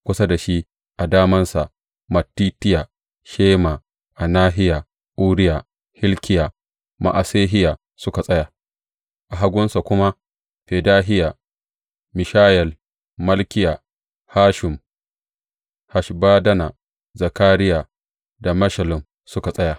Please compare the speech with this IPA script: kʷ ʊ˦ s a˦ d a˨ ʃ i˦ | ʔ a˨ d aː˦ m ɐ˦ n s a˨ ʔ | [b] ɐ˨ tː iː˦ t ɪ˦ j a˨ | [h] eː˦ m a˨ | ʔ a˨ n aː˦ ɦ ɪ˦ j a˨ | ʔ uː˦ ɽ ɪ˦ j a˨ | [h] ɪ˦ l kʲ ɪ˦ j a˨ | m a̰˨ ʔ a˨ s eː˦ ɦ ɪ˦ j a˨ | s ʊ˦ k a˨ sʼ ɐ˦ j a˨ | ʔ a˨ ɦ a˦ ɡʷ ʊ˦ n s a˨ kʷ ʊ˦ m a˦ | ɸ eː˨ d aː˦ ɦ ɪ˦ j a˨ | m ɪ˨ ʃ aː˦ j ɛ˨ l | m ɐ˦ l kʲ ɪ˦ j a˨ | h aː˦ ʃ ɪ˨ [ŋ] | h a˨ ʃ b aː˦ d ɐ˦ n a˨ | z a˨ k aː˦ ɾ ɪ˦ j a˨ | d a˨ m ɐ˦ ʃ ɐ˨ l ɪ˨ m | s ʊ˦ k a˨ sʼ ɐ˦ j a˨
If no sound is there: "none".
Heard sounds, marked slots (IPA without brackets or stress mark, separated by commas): m, ʃ, h, m